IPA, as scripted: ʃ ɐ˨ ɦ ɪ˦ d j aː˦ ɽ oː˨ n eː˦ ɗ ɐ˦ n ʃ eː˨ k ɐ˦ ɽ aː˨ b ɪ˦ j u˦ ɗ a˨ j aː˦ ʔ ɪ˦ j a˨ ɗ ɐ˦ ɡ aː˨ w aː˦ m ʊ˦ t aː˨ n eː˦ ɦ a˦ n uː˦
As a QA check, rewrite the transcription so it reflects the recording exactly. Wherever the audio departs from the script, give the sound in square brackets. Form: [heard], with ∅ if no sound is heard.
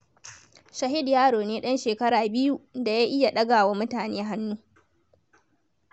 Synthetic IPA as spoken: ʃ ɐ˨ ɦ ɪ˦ d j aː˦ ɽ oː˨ n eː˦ ɗ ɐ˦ n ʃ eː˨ k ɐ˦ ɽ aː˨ b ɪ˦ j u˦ [d] a˨ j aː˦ ʔ ɪ˦ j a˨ ɗ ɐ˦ ɡ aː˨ w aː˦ m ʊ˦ t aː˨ n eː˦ ɦ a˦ [nː] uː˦

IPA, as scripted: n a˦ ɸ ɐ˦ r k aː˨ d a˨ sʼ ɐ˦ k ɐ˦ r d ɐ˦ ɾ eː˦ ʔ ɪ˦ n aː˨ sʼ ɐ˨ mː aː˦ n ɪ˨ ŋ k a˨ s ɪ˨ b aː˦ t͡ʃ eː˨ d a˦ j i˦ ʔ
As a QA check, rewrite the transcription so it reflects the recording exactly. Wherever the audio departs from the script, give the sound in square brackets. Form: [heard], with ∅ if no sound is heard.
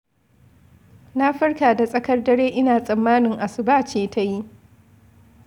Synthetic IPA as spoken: n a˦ ɸ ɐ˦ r k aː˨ d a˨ sʼ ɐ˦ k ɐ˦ r d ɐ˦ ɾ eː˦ ʔ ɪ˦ n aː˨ sʼ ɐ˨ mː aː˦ n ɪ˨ ŋ [ʔ] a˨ s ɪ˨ b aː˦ t͡ʃ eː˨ [t] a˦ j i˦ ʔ

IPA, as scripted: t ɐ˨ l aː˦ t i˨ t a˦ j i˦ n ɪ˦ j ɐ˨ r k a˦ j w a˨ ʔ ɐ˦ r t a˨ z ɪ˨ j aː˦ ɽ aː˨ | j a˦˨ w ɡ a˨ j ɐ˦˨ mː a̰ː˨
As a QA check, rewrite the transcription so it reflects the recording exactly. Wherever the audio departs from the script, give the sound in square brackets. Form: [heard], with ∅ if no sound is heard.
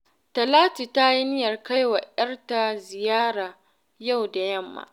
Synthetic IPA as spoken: t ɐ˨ l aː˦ t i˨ t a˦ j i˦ n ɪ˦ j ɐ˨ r k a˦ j w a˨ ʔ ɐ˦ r t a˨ z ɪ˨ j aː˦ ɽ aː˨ | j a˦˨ w [d] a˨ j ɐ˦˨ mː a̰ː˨

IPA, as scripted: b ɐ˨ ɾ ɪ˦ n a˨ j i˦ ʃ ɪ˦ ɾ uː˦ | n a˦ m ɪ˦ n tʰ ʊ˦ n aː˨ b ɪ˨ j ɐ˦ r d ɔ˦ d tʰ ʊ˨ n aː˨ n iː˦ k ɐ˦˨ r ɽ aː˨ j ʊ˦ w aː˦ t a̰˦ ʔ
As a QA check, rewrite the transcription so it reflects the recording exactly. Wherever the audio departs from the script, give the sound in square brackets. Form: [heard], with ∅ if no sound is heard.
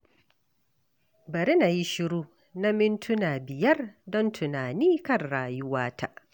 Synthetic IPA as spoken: b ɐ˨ ɾ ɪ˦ n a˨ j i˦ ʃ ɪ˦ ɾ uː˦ | n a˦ m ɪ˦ n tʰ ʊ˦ n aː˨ b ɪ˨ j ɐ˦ r d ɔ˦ [n] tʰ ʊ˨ n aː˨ n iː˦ k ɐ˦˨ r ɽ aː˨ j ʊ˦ w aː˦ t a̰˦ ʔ

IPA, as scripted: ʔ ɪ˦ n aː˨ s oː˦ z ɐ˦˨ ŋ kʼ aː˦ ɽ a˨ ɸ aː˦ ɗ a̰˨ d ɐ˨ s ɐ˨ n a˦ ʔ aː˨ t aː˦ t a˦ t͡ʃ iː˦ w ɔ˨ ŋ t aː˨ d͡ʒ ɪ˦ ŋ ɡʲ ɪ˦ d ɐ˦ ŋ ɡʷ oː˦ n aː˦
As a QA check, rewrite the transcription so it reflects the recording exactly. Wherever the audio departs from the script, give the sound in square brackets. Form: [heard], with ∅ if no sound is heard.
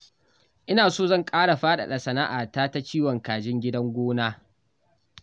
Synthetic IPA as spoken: ʔ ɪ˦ n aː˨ s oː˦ z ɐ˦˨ ŋ kʼ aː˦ ɽ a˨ ɸ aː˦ ɗ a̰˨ [ɗ] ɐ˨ s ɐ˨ n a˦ ʔ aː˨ t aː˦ t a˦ t͡ʃ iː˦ w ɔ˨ ŋ [k] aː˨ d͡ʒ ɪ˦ ŋ ɡʲ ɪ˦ d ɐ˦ ŋ ɡʷ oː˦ n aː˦

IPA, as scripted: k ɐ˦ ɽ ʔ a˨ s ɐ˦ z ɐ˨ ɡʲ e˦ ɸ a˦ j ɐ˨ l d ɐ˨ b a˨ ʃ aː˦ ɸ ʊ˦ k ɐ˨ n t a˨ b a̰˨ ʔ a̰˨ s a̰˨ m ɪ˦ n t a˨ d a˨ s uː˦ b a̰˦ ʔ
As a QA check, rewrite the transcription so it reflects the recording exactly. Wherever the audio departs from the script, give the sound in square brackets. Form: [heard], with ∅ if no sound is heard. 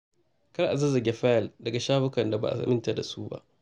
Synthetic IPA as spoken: k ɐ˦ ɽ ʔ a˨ [z] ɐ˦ z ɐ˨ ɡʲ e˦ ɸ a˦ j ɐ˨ l d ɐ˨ [ɡ] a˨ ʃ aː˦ ɸ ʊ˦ k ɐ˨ n [d] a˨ b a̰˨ ʔ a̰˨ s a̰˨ m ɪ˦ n t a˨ d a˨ s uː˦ b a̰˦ ʔ

